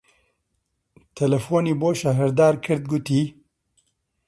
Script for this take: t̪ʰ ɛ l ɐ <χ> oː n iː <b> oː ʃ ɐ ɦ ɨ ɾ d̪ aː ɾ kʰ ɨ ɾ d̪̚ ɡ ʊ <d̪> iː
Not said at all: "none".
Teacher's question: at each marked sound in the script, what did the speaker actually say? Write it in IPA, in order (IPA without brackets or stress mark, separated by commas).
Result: f, b, t̪